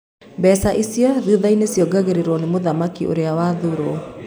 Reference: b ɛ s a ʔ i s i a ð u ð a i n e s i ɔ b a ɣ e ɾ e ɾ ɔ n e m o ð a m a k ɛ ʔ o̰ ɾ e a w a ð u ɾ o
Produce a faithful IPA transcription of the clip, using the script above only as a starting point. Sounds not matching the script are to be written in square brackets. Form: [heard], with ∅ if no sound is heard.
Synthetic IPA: b ɛ s a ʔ i s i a ð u ð a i n e s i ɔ [ɡ] a ɣ e ɾ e ɾ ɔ n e m o ð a m a k [i] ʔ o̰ ɾ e a w a ð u ɾ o